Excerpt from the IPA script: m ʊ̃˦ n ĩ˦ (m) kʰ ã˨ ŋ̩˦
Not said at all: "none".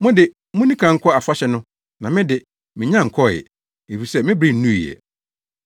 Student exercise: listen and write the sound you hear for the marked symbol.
none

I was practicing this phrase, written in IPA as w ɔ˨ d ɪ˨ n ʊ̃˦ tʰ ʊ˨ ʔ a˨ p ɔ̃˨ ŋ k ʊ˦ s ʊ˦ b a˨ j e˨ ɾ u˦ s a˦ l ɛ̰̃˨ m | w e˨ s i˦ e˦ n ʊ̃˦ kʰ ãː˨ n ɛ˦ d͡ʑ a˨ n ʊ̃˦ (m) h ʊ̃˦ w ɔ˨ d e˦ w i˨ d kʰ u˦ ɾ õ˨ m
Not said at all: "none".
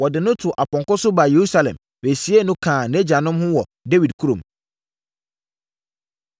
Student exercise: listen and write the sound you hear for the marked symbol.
m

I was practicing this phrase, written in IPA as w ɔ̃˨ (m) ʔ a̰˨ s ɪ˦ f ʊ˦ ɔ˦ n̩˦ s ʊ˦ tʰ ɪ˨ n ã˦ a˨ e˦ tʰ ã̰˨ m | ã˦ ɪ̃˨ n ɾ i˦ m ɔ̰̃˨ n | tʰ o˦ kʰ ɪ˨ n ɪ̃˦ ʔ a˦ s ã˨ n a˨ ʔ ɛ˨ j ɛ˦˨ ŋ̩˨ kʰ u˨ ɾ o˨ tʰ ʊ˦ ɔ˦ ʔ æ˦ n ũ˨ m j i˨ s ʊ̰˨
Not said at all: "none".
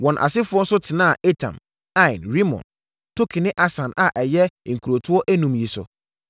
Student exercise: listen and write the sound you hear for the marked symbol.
n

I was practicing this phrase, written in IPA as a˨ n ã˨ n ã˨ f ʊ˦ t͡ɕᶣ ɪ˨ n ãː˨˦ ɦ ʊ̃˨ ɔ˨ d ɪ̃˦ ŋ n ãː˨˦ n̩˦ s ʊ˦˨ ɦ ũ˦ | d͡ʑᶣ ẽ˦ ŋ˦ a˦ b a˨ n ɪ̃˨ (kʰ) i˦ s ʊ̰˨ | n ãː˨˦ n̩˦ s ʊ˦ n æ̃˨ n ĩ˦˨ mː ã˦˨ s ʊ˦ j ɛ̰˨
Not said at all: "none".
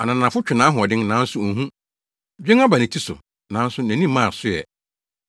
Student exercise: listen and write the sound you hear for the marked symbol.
tʰ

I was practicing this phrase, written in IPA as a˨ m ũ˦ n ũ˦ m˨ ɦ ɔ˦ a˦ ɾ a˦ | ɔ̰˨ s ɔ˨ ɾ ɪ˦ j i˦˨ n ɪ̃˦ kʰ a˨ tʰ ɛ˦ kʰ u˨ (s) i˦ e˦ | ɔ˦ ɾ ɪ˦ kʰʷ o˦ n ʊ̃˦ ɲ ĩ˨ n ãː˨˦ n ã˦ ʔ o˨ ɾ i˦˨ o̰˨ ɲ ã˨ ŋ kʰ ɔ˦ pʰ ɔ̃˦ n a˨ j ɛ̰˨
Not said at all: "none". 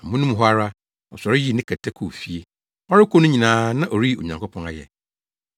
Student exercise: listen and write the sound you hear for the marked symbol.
f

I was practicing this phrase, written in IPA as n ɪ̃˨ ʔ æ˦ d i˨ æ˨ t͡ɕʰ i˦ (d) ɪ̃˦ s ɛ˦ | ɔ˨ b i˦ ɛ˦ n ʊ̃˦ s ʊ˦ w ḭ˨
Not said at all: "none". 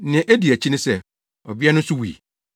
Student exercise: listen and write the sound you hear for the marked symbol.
n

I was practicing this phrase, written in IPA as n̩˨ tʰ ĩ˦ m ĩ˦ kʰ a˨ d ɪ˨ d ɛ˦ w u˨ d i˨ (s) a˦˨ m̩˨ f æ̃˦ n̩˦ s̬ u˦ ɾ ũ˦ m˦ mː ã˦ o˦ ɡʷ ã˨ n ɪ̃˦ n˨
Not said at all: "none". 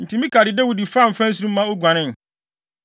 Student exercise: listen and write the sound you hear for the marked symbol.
f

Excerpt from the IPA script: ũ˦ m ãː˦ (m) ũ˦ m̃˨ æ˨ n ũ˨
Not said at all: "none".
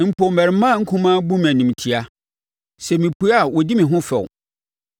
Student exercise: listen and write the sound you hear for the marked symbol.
b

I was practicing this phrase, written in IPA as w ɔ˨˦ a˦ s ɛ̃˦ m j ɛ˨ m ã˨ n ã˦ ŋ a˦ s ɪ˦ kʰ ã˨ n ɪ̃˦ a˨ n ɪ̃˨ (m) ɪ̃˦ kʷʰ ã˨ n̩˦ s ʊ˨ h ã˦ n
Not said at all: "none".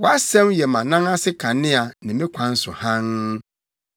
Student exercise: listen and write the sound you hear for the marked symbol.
m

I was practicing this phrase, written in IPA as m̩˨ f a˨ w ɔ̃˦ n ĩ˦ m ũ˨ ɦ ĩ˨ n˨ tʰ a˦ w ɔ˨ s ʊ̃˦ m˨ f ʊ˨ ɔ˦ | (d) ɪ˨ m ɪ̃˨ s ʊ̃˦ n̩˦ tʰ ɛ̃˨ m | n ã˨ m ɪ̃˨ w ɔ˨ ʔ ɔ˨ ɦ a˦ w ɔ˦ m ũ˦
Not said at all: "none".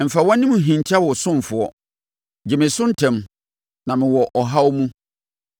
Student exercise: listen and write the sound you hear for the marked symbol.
d͡ʑ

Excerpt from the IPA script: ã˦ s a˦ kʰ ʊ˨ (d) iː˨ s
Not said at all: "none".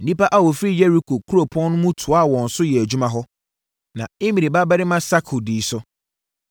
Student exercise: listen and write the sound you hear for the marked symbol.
d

